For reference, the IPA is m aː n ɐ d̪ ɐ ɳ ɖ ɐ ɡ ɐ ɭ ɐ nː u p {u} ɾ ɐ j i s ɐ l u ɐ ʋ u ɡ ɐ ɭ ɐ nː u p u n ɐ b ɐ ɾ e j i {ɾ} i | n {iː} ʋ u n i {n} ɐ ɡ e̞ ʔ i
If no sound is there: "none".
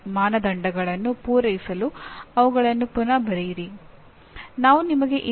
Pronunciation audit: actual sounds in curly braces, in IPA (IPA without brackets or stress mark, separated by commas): uː, ɾ, aː, m